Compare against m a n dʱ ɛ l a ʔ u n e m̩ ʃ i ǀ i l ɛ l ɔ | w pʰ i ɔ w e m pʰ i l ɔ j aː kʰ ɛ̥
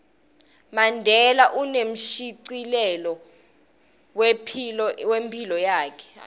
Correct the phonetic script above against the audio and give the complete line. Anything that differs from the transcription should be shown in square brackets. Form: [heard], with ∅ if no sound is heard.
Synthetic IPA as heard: m a n dʱ ɛ l a ʔ u n e m̩ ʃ i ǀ i l ɛ l ɔ | w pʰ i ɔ w e m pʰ i l ɔ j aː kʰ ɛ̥